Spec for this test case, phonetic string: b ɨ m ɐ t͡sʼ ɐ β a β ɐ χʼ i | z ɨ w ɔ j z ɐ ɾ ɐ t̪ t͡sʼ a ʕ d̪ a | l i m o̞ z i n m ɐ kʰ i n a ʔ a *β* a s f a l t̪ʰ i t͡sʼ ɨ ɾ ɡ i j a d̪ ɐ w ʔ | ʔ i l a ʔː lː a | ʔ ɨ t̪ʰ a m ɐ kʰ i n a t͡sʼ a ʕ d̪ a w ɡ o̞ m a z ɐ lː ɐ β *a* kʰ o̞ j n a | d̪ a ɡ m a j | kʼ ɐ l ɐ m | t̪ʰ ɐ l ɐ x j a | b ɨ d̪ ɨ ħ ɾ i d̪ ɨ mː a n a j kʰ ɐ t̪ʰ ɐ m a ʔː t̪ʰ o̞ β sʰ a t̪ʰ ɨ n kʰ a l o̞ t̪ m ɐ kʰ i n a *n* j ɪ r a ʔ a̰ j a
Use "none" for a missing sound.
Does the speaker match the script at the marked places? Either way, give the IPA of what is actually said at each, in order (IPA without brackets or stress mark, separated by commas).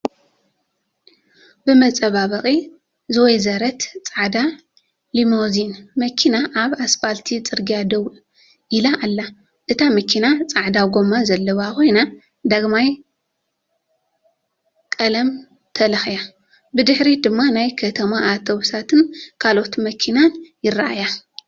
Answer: β, a, n